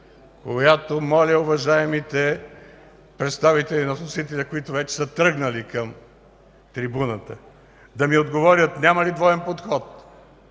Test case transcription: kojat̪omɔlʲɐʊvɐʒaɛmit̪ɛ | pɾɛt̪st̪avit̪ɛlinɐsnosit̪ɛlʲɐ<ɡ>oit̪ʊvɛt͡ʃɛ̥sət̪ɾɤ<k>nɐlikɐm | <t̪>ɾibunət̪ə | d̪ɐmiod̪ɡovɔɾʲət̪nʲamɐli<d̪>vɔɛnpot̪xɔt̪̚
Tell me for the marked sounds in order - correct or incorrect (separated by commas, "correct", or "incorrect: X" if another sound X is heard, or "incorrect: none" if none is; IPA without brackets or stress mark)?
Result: incorrect: k, incorrect: ɡ, correct, correct